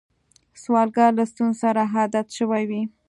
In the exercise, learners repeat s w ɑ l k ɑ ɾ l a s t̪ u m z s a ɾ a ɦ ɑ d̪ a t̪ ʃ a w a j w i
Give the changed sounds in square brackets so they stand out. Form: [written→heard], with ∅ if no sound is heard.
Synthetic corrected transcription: s w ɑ l [k→ɡ] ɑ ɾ l a s t̪ u [m→n] z s a ɾ a ɦ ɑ d̪ a t̪ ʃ [a→ə] w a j w i